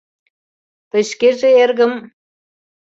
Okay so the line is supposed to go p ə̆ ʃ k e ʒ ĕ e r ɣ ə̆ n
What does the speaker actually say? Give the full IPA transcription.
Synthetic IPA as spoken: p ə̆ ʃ k e ʒ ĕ e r ɣ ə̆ m